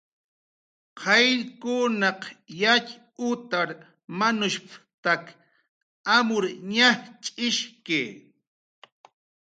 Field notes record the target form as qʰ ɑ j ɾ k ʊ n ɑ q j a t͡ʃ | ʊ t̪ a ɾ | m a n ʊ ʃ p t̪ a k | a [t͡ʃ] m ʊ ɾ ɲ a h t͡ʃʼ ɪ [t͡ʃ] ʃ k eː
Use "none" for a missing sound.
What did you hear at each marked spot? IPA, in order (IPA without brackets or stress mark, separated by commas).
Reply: none, none